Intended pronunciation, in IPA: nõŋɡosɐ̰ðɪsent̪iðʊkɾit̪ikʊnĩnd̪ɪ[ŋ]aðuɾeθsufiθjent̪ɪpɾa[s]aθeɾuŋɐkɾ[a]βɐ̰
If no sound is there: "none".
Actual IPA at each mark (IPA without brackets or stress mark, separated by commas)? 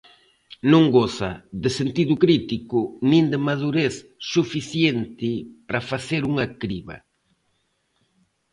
m, f, i